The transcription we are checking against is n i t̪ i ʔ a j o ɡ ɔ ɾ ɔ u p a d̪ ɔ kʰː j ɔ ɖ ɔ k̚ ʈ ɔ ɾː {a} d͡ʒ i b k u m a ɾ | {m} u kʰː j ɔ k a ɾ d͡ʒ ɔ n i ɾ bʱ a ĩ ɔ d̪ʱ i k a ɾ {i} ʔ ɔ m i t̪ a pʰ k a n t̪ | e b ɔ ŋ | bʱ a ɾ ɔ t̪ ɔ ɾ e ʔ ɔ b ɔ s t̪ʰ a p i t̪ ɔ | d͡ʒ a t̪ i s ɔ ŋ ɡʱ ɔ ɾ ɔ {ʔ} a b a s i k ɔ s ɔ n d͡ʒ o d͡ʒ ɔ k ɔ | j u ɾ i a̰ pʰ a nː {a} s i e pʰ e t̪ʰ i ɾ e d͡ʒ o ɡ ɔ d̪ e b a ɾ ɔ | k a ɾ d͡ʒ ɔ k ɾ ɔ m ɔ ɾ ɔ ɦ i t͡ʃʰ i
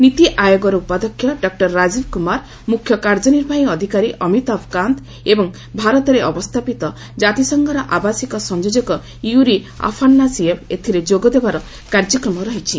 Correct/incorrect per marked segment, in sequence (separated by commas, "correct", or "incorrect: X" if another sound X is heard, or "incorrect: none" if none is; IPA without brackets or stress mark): correct, correct, correct, correct, correct